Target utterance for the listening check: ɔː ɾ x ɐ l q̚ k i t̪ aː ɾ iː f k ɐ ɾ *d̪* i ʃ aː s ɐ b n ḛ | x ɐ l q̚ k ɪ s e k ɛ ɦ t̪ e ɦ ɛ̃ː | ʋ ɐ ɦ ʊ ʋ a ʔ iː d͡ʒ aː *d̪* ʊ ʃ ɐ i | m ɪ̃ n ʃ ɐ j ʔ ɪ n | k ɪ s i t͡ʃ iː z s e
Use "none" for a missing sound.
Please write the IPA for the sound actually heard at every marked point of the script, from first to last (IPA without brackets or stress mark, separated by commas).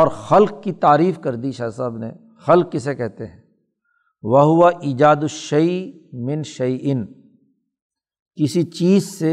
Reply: d̪, d̪